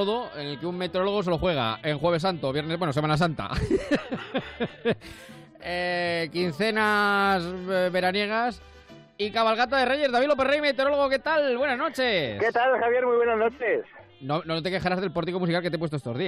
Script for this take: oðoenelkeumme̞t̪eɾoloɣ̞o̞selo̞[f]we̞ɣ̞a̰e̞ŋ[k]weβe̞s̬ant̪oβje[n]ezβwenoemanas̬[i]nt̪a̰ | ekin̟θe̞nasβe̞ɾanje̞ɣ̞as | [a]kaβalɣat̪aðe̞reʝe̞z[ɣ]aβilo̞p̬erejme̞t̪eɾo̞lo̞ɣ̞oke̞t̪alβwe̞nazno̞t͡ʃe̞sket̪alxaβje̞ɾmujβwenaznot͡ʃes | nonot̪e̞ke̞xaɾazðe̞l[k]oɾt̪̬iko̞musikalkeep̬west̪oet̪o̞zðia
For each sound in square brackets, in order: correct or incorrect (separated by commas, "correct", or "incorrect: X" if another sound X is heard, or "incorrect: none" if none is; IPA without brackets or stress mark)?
incorrect: x, incorrect: x, correct, incorrect: a, incorrect: i, incorrect: ð, incorrect: p